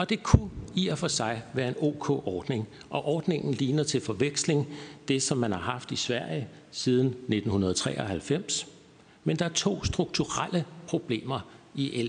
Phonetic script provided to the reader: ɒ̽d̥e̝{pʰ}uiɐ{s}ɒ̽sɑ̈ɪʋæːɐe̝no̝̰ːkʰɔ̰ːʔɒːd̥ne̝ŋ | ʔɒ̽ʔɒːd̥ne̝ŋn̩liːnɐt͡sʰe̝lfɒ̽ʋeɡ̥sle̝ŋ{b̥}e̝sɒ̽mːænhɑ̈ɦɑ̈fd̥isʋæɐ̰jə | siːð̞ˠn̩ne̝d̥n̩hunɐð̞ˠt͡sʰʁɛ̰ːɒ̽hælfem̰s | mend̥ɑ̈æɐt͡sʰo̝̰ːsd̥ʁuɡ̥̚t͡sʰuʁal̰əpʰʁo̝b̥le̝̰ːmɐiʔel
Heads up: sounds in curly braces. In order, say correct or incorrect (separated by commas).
incorrect, incorrect, incorrect